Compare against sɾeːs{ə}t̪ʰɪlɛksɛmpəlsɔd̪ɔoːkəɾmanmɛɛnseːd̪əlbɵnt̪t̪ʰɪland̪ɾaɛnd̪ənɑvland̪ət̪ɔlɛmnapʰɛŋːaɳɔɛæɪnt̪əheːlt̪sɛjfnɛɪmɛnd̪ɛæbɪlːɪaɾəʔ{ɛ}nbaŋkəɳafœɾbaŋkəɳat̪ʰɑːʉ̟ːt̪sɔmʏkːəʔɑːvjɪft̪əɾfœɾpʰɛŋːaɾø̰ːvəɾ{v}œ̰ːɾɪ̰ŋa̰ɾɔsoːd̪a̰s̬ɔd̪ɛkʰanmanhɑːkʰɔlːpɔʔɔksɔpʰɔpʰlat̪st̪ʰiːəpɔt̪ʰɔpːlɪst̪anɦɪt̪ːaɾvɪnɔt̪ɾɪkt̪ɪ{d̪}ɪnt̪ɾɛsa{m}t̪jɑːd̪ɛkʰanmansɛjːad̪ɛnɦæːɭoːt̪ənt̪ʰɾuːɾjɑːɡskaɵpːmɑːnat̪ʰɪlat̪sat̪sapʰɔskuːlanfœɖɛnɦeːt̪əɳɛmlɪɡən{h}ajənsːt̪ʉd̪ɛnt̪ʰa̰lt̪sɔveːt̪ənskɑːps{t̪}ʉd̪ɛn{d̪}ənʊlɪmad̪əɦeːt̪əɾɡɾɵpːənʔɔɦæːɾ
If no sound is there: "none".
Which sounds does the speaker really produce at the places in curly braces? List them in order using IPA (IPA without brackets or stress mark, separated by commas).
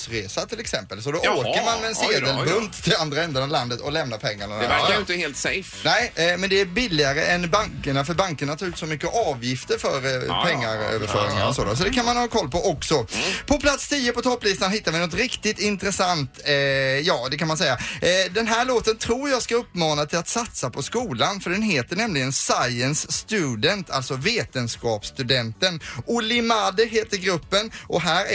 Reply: a, ɛ, f, t̪, n, s, t̪, t̪